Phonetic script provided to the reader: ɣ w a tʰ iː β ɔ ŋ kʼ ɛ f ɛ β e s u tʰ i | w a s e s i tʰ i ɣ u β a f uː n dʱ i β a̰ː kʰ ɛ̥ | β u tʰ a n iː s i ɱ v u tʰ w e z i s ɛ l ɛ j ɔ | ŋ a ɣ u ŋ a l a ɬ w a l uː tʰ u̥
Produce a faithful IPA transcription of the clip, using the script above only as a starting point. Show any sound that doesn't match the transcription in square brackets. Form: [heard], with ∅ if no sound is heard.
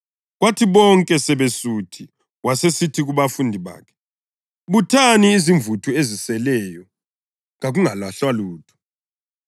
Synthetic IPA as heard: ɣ w a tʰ [i] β ɔ ŋ kʼ ɛ [s] ɛ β e s u tʰ i | w a s e s i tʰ i ɣ u β a f [u] n dʱ i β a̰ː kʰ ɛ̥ | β u tʰ a n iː [z] i ɱ v u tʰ [u] e z i s ɛ l ɛ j ɔ | ŋ a ɣ u ŋ a l a ɬ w a l uː tʰ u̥